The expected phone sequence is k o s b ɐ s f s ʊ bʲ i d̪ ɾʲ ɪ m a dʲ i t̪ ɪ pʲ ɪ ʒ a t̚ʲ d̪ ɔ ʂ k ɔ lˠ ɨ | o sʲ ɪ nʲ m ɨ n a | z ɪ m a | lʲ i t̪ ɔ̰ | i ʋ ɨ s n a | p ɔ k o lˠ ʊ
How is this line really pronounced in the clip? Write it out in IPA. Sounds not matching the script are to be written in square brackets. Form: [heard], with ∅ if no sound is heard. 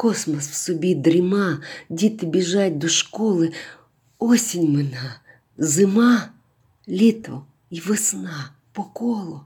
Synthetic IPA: k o s [m] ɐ s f s ʊ bʲ i d̪ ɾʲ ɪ m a dʲ i t̪ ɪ [bʲ] ɪ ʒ a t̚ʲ d̪ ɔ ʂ k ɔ lˠ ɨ | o sʲ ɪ nʲ m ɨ n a | z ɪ m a | lʲ i t̪ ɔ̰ | i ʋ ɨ s n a | p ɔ k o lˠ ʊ